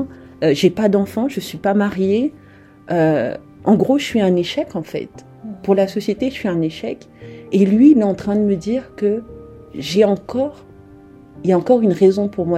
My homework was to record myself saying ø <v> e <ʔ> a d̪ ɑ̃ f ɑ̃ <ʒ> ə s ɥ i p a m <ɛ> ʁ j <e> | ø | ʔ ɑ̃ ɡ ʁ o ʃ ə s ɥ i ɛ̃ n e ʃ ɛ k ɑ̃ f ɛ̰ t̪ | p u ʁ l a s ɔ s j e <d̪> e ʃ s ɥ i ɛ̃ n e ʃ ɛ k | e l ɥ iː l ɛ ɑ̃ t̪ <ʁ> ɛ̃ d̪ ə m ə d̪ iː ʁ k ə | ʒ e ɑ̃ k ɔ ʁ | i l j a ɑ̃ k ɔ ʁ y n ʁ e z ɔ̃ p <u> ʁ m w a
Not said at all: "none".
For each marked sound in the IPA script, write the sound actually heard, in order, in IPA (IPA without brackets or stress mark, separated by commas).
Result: ʒ, p, ʒ, a, e, t̪, χ, u